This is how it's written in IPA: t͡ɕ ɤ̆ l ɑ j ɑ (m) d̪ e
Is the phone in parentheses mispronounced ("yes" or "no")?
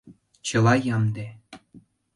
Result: no